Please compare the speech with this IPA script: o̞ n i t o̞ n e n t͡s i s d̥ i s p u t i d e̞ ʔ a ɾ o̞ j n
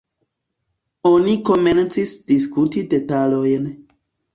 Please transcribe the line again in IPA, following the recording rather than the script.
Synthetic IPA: o̞ n i k o̞ m e n t͡s i s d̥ i s k u t i d e̞ t a l o̞ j n